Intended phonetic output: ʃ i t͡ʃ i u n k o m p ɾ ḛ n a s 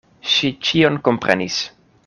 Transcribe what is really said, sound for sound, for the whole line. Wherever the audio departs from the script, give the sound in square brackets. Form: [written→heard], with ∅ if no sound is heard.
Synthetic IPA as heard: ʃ i t͡ʃ i [u→o] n k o m p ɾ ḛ n [a→i] s